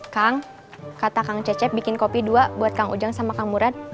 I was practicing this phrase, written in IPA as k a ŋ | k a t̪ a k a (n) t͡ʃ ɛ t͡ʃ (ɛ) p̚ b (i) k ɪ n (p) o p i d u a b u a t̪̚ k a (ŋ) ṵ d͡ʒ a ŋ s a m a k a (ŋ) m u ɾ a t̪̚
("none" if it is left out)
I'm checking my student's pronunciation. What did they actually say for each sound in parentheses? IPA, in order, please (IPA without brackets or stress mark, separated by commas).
ŋ, ɛ, i, k, ŋ, ŋ